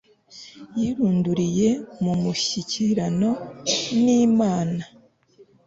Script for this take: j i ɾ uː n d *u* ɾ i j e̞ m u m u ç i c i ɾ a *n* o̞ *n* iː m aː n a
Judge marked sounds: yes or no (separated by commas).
yes, yes, yes